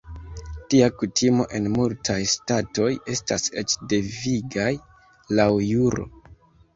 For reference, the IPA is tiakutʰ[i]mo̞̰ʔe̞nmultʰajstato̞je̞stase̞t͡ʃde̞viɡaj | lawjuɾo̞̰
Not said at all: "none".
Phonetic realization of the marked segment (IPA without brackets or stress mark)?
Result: i